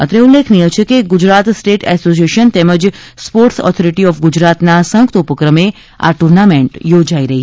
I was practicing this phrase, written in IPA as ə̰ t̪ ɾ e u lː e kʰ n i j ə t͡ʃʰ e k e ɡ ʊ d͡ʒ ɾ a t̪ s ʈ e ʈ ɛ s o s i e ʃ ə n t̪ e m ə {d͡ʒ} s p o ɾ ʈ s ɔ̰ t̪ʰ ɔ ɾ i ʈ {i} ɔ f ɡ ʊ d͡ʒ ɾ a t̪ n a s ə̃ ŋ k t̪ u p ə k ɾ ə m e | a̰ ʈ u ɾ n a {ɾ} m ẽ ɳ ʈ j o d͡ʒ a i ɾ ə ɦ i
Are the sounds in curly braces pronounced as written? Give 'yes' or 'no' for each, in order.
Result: yes, yes, no

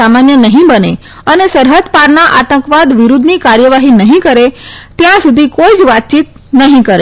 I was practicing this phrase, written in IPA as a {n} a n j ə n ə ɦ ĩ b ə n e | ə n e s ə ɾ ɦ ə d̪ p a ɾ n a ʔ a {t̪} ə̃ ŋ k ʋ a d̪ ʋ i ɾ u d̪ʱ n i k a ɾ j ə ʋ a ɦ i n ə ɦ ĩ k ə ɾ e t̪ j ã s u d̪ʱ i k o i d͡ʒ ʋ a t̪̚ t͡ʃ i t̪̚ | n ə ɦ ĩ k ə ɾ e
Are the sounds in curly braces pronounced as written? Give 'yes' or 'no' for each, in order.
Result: no, yes

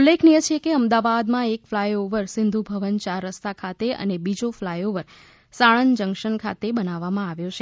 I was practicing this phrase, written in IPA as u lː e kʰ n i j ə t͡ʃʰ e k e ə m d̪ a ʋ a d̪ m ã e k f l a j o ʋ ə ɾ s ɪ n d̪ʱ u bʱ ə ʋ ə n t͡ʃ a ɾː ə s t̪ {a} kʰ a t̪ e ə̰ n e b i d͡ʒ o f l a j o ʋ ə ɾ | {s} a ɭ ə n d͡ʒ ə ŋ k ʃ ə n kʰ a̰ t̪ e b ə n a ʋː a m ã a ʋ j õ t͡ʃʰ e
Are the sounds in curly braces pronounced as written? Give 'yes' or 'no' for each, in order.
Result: yes, yes

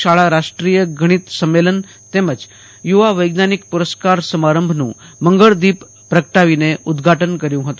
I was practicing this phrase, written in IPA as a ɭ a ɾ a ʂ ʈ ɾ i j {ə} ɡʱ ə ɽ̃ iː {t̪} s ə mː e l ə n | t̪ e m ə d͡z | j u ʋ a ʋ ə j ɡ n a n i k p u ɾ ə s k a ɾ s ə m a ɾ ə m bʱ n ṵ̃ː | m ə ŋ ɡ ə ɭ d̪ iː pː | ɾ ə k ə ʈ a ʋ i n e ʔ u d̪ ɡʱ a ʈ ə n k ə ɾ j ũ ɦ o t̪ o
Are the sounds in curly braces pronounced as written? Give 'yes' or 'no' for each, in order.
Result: yes, yes

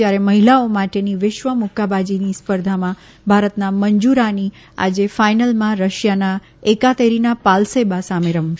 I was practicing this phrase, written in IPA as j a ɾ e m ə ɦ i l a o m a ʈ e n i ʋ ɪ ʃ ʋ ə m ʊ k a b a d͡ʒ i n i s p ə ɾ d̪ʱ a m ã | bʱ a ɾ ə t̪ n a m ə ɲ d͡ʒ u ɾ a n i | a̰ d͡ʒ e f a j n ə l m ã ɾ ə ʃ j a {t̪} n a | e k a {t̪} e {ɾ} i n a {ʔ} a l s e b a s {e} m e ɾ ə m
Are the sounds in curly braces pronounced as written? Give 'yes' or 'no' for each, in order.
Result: no, yes, yes, no, no

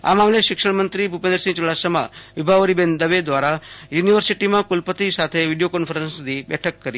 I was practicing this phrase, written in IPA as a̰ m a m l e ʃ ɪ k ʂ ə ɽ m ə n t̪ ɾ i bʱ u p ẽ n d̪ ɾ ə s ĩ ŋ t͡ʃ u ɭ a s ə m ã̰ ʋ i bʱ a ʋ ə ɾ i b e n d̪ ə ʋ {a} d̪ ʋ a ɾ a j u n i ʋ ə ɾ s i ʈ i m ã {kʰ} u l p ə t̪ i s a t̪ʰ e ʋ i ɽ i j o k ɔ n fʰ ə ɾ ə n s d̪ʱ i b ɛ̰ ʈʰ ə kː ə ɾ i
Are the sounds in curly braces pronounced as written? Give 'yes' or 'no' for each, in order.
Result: no, no

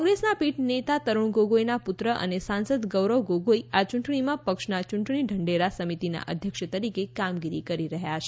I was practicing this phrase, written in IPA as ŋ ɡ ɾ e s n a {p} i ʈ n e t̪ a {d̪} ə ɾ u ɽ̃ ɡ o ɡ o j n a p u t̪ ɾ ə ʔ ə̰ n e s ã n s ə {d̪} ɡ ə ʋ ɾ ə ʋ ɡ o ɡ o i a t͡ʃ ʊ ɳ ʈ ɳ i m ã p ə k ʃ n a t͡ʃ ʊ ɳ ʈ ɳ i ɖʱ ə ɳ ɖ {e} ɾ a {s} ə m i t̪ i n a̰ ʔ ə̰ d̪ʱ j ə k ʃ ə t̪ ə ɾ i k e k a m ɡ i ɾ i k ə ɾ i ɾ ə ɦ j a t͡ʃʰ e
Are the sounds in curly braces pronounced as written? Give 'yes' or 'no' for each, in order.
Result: yes, no, yes, yes, yes

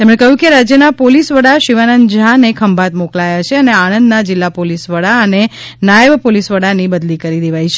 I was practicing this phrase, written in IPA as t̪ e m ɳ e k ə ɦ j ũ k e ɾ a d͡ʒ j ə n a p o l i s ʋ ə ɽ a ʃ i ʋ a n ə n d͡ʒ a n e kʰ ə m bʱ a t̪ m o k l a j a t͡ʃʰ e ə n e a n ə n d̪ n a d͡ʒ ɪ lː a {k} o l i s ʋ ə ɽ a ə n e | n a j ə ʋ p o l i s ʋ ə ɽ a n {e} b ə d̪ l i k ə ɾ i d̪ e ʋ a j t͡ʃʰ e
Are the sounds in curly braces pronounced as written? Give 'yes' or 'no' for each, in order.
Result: no, no

